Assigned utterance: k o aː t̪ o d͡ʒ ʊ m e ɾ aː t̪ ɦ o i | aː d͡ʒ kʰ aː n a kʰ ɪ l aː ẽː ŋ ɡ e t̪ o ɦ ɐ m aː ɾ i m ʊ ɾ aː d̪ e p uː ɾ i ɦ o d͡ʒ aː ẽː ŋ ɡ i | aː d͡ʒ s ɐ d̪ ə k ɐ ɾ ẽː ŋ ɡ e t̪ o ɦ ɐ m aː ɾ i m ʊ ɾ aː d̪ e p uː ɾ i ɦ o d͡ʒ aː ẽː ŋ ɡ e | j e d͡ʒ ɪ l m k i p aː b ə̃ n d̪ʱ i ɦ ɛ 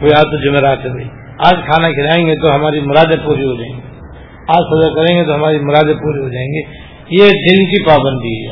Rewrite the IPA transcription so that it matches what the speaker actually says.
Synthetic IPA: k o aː t̪ o d͡ʒ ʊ m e ɾ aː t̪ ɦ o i | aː d͡ʒ kʰ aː n a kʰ ɪ l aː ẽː ŋ ɡ e t̪ o ɦ ɐ m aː ɾ i m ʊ ɾ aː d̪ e p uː ɾ i ɦ o d͡ʒ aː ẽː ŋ ɡ i | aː d͡ʒ s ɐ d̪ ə k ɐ ɾ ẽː ŋ ɡ e t̪ o ɦ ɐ m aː ɾ i m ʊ ɾ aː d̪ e p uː ɾ i ɦ o d͡ʒ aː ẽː ŋ ɡ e | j e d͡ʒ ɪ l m k i p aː b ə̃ n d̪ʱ i ɦ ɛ